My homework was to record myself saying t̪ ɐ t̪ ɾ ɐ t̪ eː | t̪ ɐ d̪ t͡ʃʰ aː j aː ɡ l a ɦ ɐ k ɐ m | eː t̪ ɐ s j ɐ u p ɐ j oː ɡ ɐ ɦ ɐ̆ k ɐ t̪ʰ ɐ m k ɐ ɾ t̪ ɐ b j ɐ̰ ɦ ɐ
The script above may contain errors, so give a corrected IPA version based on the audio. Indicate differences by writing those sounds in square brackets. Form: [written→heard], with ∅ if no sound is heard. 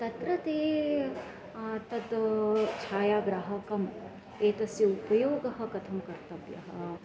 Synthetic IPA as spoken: t̪ ɐ t̪ ɾ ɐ t̪ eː | t̪ ɐ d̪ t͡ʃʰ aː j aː ɡ [l→ɾ] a ɦ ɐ k ɐ m | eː t̪ ɐ s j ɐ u p ɐ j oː ɡ ɐ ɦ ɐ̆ k ɐ t̪ʰ ɐ m k ɐ ɾ t̪ ɐ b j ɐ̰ ɦ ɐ